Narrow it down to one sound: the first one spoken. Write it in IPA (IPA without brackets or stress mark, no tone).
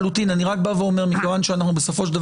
l